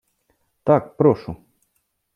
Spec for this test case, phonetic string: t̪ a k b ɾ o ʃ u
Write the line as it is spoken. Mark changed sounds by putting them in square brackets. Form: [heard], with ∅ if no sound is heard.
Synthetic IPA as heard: t̪ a k [p] ɾ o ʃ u